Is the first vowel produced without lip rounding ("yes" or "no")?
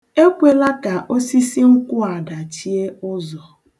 yes